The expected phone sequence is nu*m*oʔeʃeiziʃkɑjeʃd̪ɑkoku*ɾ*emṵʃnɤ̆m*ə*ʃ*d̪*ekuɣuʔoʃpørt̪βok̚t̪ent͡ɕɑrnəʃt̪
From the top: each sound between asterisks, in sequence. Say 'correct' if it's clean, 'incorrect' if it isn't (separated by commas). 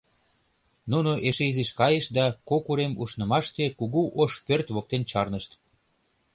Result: incorrect, correct, incorrect, incorrect